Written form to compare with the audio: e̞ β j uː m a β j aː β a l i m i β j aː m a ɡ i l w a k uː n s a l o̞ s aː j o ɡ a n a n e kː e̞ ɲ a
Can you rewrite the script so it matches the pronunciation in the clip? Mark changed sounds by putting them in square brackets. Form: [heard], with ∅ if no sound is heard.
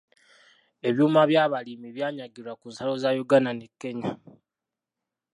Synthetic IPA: e̞ β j uː m a β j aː β a l i m i β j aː [ɲ] a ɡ i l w a k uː n s a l o̞ [z] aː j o ɡ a n a n e kː e̞ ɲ a